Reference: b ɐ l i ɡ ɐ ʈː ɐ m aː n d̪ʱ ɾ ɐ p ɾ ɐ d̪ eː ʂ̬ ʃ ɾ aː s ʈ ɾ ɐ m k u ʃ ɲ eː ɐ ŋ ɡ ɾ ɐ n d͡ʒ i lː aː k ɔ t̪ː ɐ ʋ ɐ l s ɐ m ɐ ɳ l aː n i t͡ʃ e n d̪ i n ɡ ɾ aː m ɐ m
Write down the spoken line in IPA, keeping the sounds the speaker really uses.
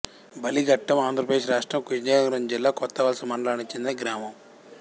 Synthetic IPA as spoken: b ɐ l i ɡ ɐ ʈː ɐ m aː n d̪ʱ ɾ ɐ p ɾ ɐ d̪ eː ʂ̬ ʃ ɾ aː ʂ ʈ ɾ ɐ m k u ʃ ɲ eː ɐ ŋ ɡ ɾ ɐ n d͡ʒ i lː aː k ɔ t̪ː ɐ ʋ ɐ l s ɐ m ɐ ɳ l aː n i t͡ʃ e n d̪ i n ɡ ɾ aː m ɐ m